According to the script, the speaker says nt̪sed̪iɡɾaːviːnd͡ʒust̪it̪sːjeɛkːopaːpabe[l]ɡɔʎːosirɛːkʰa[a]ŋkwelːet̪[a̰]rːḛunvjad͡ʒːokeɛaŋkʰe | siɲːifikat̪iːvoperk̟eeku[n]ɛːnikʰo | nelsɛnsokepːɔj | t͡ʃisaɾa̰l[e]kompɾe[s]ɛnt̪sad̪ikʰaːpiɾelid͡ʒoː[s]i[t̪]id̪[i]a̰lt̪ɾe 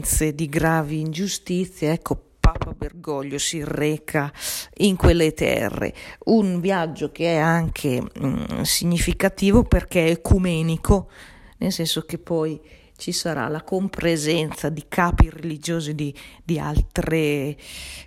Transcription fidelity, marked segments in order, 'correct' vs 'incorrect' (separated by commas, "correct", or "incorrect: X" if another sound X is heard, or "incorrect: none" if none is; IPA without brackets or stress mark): incorrect: r, incorrect: i, incorrect: ɛ̰, incorrect: m, incorrect: a, incorrect: z, incorrect: z, incorrect: d̪, correct